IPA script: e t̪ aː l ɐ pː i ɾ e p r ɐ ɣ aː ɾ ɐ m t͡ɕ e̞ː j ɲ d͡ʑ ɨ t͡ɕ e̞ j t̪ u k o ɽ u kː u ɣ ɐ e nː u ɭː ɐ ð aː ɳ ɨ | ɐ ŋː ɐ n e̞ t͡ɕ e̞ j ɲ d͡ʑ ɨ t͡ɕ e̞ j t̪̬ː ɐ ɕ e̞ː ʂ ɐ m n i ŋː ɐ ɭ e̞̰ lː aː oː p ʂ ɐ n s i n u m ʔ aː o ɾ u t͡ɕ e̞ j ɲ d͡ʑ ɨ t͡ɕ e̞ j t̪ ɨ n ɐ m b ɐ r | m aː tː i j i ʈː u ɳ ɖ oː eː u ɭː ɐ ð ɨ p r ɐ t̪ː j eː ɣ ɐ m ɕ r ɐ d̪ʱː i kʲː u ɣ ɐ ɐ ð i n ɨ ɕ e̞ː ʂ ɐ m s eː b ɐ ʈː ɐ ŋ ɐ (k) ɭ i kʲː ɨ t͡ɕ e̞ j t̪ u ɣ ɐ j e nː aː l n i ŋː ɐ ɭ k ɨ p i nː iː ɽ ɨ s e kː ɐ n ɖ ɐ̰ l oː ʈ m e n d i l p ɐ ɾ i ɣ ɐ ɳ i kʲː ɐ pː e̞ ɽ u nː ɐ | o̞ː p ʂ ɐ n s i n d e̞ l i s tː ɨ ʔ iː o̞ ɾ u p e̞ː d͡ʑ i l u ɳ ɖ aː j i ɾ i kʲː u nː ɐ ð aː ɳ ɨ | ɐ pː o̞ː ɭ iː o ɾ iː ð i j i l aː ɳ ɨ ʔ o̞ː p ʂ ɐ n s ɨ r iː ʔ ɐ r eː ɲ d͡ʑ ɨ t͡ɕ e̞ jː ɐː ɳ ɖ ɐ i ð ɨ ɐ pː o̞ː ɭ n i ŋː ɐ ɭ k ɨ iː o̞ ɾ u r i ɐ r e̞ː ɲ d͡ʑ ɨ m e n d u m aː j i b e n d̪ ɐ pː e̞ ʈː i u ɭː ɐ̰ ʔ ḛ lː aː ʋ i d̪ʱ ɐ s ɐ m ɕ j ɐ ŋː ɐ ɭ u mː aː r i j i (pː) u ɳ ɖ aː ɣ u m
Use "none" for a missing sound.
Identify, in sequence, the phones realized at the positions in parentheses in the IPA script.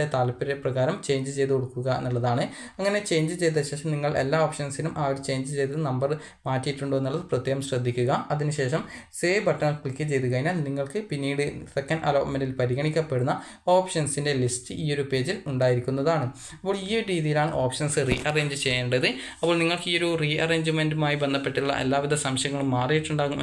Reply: k, ʈː

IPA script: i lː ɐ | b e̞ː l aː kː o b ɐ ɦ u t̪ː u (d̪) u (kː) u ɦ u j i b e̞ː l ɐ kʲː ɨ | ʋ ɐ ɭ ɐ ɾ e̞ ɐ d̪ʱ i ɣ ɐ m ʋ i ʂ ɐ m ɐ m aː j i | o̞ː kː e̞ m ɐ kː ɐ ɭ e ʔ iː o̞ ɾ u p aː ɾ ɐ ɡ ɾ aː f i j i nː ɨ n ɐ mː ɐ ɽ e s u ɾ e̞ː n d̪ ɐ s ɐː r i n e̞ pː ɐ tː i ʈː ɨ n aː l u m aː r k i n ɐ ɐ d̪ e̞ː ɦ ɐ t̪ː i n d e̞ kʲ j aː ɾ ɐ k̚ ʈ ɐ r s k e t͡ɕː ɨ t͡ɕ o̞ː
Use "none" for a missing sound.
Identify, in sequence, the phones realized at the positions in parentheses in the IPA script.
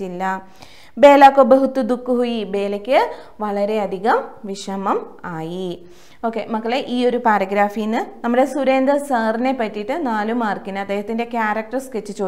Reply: d̪, kː

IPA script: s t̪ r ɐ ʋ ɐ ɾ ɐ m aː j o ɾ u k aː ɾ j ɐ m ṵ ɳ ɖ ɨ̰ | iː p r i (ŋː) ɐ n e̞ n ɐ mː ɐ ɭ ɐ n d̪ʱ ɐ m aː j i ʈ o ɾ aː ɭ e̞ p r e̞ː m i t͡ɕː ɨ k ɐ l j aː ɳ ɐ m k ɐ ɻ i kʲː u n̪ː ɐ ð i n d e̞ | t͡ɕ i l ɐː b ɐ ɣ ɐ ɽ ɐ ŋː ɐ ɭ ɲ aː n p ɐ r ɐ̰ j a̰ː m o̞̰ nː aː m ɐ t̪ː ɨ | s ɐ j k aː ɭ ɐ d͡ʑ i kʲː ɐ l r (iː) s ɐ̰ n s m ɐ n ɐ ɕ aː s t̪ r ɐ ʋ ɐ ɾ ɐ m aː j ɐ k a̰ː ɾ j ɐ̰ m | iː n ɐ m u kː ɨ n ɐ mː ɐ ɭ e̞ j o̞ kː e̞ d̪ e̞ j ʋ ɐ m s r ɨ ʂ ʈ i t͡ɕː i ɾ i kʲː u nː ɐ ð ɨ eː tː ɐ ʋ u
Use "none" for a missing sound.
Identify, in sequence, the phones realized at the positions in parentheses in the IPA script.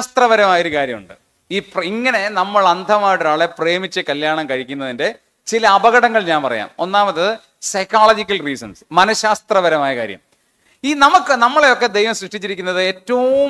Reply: ŋː, iː

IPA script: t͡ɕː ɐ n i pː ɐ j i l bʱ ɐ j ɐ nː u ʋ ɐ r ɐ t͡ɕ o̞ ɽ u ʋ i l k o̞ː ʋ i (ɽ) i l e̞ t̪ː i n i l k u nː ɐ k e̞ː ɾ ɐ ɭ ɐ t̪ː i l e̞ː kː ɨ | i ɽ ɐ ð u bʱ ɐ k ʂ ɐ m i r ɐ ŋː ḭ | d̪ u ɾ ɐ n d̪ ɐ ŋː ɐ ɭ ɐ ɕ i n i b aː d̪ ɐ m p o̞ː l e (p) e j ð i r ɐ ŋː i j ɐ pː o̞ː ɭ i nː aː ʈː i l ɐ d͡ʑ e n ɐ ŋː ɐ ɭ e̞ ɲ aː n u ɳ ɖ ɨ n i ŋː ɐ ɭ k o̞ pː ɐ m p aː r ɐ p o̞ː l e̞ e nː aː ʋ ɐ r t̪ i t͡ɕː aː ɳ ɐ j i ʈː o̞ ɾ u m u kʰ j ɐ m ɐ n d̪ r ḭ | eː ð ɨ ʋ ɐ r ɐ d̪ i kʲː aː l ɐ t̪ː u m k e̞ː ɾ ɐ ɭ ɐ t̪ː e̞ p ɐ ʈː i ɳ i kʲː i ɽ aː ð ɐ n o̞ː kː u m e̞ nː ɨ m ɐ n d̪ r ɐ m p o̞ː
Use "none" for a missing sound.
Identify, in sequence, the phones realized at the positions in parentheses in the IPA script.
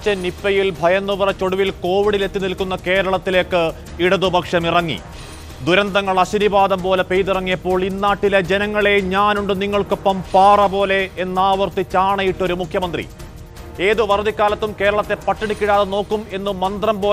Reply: ɽ, p

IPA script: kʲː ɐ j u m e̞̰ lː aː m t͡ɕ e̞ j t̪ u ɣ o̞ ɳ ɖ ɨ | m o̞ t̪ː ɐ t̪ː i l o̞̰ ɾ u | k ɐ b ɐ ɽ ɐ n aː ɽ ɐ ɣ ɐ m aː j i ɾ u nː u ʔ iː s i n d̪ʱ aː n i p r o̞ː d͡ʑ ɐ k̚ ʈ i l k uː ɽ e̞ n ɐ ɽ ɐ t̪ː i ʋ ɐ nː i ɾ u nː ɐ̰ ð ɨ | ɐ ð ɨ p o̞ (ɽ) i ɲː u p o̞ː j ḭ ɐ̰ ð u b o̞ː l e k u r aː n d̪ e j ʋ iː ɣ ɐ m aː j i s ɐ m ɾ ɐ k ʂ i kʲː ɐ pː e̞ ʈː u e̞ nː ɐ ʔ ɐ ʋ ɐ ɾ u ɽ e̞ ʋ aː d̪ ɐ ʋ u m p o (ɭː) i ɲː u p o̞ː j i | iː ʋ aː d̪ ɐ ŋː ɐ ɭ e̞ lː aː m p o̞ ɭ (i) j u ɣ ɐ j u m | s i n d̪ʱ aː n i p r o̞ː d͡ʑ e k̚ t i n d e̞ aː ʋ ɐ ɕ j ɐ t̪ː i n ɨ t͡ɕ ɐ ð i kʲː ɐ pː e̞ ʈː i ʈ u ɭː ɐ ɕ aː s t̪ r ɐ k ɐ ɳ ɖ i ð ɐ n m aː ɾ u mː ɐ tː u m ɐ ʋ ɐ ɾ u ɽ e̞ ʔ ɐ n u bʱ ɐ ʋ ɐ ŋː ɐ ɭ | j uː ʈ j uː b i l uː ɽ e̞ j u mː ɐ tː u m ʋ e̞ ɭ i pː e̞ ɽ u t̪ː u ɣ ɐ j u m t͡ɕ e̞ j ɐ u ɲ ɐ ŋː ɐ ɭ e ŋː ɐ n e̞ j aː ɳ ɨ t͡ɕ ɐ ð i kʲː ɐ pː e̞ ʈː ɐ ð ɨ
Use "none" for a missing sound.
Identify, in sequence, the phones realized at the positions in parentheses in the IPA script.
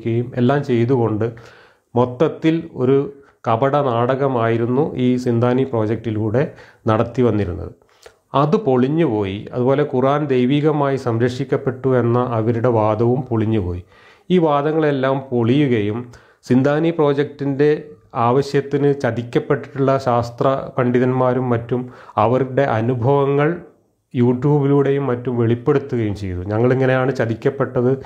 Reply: ɭ, ɭ, i

